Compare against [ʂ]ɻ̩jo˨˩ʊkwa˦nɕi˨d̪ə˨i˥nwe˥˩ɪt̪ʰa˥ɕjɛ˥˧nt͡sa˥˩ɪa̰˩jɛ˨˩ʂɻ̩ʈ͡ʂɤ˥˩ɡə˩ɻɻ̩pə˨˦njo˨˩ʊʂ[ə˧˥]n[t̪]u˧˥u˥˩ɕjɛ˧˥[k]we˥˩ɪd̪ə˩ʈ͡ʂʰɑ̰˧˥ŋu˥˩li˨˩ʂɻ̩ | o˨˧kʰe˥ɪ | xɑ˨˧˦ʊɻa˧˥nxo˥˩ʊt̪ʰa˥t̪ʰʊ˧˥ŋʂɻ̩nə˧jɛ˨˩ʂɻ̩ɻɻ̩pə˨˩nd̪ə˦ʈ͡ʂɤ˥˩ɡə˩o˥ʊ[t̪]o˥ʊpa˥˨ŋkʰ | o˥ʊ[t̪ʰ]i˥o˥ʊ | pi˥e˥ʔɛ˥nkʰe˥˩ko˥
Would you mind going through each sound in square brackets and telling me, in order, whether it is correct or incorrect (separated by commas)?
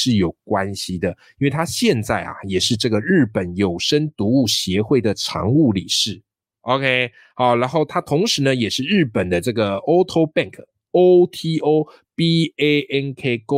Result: correct, incorrect, correct, incorrect, incorrect, correct